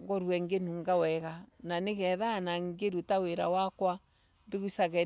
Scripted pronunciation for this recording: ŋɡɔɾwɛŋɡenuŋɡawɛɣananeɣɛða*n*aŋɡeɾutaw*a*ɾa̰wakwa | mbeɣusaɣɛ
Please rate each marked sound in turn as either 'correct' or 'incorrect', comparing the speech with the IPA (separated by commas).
correct, incorrect